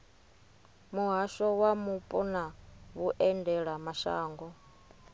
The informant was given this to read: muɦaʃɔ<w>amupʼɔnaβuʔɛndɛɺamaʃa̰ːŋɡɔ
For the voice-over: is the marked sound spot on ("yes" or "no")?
yes